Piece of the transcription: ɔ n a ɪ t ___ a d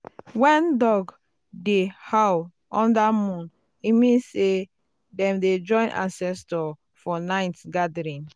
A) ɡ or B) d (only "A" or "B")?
A